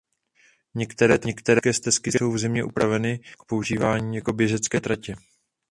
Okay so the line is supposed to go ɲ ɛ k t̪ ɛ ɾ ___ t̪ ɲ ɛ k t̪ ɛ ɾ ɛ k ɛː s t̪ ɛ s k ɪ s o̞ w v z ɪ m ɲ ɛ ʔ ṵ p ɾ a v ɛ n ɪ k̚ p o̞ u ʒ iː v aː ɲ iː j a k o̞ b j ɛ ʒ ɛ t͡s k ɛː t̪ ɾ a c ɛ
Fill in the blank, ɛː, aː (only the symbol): ɛː